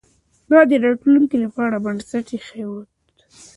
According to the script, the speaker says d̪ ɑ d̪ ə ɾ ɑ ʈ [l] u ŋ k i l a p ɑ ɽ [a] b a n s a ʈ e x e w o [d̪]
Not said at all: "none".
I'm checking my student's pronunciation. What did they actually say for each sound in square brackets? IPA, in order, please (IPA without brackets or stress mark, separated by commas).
l, a, t̪